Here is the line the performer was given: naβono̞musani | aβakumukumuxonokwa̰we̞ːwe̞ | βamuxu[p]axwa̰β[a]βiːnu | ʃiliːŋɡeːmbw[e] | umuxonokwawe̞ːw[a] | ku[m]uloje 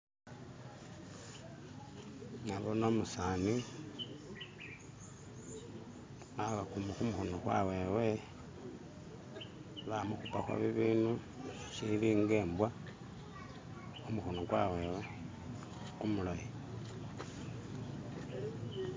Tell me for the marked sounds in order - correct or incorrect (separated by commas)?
correct, incorrect, incorrect, incorrect, correct